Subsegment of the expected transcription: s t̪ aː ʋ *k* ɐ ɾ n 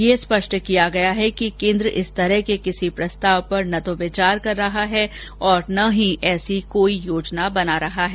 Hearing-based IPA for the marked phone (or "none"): p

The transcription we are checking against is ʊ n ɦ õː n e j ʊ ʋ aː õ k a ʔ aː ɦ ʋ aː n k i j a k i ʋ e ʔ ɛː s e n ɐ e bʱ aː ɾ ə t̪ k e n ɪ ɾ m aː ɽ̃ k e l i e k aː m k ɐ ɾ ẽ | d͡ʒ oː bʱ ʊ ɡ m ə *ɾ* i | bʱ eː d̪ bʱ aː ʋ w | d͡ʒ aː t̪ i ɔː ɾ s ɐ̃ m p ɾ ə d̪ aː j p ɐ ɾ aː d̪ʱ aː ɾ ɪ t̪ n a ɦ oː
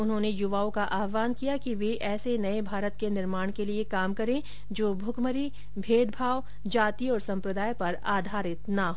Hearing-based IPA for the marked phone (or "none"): ɾ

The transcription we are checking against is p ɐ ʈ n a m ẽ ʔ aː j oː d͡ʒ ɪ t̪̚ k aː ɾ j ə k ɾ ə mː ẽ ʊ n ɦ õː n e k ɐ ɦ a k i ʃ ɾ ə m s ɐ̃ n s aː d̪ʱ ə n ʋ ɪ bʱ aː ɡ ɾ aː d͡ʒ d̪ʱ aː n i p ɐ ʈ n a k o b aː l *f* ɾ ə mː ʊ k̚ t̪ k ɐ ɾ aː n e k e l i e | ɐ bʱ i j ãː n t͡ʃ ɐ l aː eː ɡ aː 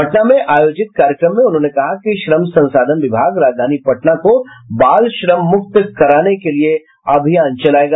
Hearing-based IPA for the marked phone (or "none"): ʃ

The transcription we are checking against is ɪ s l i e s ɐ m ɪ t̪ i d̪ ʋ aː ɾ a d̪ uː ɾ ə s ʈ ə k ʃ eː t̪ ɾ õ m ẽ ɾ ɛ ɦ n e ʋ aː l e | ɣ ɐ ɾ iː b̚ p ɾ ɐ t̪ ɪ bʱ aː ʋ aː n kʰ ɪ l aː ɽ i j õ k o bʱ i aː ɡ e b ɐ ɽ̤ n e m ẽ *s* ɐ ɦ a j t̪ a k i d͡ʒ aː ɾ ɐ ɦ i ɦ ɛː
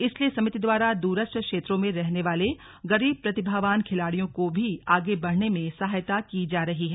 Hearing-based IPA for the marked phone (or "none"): s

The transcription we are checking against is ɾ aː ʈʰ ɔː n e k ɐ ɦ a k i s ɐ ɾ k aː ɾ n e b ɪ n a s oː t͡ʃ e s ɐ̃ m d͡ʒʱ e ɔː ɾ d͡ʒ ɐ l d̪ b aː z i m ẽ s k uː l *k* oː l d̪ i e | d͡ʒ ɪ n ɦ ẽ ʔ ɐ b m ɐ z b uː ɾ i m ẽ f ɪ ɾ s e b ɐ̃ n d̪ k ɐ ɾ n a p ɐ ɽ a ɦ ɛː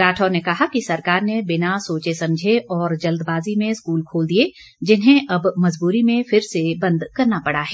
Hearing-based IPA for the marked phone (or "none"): kʰ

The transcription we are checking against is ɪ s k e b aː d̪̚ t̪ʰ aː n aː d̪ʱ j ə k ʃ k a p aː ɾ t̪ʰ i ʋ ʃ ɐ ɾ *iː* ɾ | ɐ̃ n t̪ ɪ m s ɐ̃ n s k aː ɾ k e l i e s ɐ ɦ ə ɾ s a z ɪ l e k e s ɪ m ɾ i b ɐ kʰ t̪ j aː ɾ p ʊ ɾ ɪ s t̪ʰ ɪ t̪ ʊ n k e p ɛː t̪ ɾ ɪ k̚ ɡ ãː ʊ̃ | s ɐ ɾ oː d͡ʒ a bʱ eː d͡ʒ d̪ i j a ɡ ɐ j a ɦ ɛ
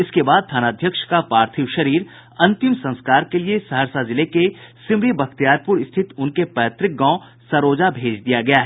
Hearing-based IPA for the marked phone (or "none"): iː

